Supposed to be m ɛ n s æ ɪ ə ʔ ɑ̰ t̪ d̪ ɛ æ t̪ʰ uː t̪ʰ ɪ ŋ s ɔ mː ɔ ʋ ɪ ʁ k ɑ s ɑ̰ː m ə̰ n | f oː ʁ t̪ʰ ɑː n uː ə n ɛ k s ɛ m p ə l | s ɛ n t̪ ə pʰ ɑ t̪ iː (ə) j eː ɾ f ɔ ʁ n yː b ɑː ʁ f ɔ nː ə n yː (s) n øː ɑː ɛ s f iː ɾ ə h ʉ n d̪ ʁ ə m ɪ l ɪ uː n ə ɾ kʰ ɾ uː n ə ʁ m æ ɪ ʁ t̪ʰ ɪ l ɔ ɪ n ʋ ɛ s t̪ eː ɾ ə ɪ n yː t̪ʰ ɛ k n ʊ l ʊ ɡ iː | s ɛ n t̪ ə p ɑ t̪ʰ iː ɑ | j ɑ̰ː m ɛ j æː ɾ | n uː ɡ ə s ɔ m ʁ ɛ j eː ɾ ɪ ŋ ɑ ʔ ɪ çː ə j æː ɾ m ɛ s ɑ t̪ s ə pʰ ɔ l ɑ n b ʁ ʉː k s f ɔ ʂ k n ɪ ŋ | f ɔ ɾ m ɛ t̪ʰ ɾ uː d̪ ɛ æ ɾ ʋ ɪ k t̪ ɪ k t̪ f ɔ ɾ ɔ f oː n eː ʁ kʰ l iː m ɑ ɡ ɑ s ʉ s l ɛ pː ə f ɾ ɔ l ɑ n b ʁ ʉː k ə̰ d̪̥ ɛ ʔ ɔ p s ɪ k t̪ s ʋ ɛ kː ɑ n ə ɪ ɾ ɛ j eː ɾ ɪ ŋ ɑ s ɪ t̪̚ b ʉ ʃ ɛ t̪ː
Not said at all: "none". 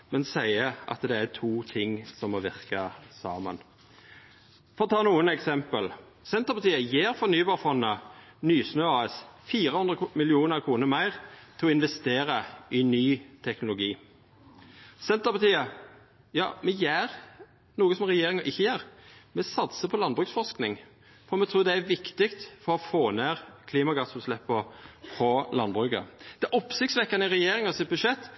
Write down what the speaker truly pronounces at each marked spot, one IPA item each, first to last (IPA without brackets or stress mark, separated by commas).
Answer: ə, s